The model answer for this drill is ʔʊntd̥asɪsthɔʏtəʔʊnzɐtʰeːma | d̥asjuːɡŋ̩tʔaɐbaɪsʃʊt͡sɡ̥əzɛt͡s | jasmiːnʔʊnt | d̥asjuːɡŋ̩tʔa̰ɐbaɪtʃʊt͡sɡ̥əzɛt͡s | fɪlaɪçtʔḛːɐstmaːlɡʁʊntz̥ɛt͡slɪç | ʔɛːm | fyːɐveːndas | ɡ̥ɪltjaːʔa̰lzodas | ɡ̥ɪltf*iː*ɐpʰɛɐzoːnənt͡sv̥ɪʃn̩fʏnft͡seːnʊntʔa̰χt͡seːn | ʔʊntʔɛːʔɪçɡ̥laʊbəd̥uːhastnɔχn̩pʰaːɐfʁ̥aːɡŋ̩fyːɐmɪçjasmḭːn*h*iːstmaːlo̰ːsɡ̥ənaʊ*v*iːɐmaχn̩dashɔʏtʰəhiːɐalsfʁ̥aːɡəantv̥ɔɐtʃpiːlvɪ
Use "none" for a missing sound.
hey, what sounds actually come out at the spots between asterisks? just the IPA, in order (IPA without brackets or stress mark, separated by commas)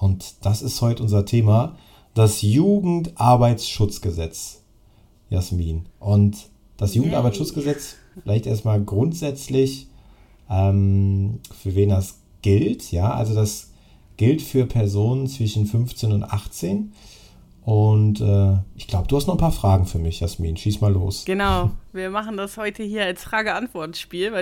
yː, ʃ, v